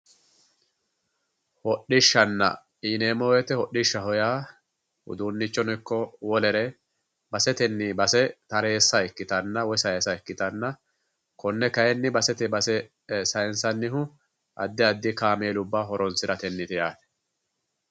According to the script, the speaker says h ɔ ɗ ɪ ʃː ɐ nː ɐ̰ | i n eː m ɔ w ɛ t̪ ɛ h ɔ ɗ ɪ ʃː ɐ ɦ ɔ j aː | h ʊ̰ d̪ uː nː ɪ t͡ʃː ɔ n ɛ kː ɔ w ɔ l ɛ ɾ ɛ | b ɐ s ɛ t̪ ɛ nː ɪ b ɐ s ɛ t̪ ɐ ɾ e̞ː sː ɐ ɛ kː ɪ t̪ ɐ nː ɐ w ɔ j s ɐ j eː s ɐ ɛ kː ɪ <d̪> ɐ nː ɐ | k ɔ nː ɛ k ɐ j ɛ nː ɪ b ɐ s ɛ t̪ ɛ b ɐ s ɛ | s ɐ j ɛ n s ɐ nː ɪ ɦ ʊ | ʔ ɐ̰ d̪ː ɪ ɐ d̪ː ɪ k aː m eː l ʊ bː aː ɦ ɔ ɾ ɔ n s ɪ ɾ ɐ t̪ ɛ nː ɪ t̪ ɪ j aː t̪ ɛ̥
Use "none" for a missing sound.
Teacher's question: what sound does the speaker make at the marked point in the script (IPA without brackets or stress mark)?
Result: t̪